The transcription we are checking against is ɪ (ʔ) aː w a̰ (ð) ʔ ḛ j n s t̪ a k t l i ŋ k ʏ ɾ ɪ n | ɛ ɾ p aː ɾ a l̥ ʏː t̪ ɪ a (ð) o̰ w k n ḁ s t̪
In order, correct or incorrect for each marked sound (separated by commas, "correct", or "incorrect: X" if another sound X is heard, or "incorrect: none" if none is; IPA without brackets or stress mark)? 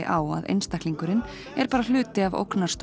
correct, correct, incorrect: v